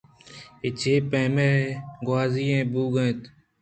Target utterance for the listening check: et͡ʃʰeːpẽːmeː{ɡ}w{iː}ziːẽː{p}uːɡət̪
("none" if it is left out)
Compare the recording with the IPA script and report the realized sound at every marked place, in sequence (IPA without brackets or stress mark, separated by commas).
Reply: ɡ, aː, b